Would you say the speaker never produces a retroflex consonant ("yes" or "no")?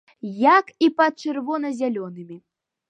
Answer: no